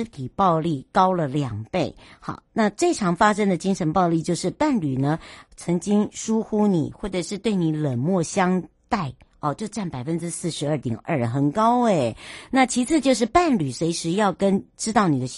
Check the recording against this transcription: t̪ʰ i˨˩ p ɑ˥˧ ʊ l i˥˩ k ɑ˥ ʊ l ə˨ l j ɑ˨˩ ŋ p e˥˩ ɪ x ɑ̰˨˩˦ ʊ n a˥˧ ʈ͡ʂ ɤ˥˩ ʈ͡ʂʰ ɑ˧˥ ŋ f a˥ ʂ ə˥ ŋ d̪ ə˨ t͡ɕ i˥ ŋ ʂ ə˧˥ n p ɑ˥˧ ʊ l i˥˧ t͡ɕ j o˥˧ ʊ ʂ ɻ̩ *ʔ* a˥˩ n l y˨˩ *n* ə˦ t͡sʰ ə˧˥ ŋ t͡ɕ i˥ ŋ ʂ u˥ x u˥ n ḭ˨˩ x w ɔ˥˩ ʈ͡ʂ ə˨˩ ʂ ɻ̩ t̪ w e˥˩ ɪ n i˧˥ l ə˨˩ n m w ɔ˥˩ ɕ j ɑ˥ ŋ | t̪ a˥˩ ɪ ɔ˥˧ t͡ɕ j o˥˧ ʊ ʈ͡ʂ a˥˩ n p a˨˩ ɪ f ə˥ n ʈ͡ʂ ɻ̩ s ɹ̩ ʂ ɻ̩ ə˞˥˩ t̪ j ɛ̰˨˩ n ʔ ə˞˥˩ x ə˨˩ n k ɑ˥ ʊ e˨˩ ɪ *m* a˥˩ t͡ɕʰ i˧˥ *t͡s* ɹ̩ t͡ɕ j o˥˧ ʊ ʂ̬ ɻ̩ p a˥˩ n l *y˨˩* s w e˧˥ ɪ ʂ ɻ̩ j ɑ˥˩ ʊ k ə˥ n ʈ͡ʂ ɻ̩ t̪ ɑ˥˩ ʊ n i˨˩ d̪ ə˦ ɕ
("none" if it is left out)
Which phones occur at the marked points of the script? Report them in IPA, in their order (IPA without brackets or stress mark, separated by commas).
p, n, n, t͡sʰ, y˨˩